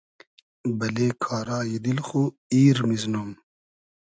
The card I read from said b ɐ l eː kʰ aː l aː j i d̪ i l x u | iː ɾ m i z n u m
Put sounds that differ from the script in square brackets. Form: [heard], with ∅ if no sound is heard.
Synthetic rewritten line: b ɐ l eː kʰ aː [ɾ] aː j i d̪ i l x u | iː ɾ m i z n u m